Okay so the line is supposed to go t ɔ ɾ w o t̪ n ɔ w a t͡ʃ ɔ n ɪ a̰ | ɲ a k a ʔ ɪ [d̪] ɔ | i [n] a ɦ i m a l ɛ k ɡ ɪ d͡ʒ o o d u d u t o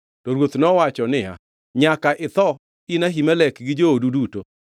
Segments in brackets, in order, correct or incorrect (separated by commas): incorrect, correct